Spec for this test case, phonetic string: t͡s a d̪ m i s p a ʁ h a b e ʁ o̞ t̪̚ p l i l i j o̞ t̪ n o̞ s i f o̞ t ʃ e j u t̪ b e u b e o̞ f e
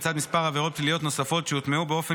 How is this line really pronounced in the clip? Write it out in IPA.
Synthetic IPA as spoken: t͡s a d̪ m i s p a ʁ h a v e ʁ o̞ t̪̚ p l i l i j o̞ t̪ n o̞ s a f o̞ t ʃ e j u t̪ m e u b e o̞ f e